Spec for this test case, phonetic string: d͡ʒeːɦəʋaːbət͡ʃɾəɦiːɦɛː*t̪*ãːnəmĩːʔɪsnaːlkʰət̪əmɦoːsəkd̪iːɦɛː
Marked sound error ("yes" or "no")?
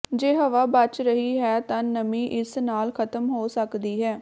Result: no